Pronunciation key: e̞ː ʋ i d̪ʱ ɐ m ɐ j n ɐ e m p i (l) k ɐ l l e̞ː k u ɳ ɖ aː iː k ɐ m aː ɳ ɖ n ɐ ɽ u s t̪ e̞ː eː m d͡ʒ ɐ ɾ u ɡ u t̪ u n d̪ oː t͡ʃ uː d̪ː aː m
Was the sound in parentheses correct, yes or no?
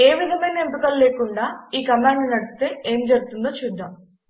no